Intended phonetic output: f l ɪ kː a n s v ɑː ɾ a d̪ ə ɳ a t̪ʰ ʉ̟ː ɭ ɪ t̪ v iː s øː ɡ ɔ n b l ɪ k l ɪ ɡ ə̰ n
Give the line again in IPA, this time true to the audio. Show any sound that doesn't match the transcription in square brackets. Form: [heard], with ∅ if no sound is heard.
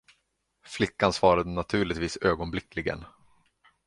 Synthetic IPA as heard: f l ɪ kː a n s v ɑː ɾ a d̪ ə [n] a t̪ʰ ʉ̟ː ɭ ɪ t̪ v iː s øː ɡ ɔ n b l ɪ k l ɪ ɡ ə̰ n